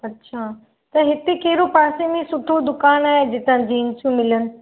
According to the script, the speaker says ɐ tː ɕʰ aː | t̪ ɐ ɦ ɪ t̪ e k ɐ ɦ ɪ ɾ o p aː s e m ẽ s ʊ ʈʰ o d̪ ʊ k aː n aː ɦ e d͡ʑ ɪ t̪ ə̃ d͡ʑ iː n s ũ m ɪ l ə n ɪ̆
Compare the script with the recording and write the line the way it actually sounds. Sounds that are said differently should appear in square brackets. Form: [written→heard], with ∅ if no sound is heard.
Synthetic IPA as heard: ɐ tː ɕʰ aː | t̪ ɐ ɦ ɪ t̪ e k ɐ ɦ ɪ ɾ o p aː s e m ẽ s ʊ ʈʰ o d̪ ʊ k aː n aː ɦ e d͡ʑ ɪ t̪ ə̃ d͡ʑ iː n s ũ m ɪ l ə n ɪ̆